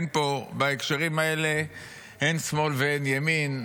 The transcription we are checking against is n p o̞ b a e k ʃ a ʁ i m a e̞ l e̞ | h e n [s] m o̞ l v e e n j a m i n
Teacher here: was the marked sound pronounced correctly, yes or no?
yes